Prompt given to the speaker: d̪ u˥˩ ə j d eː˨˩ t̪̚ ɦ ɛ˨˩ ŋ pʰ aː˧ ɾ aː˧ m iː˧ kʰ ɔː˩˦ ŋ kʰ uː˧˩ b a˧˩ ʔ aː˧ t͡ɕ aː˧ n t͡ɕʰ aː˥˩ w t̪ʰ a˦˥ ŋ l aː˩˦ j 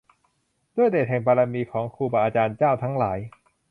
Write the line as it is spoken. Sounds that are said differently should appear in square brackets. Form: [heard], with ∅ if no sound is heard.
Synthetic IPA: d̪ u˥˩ ə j d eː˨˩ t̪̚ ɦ ɛ˨˩ ŋ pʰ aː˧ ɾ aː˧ m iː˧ kʰ ɔː˩˦ ŋ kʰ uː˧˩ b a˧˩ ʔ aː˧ t͡ɕ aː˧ n [t͡ɕ] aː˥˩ w t̪ʰ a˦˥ ŋ l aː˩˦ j